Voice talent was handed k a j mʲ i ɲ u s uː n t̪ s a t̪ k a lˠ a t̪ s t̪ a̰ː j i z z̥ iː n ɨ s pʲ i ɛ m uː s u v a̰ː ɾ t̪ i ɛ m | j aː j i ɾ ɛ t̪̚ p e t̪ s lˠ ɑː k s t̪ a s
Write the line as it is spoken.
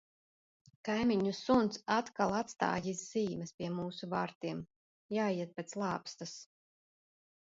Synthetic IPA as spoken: k a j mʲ i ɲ u s u n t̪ s a t̪ k a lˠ a t̪ s t̪ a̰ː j i z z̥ iː m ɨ s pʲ i ɛ m uː s u v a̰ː ɾ t̪ i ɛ m | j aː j i ɛ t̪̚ p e t̪ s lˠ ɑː p s t̪ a s